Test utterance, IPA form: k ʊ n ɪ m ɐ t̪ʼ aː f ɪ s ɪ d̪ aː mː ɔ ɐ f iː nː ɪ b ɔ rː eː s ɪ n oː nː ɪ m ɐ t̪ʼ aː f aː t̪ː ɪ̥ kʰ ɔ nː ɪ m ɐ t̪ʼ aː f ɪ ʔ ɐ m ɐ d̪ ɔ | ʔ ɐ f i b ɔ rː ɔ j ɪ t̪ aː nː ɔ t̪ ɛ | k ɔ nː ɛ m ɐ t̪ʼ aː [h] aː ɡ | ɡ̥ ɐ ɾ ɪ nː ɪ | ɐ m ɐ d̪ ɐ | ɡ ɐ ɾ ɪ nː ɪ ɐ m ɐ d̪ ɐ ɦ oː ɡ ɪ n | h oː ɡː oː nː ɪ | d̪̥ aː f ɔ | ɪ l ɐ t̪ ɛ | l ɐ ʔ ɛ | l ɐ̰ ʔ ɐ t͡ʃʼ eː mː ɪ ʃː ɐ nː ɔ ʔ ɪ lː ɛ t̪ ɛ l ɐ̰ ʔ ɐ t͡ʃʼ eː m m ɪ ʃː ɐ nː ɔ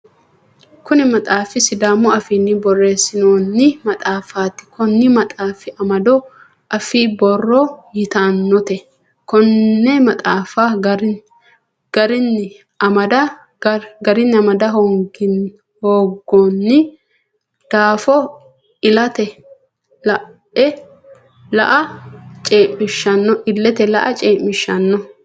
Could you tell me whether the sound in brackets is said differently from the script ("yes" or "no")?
yes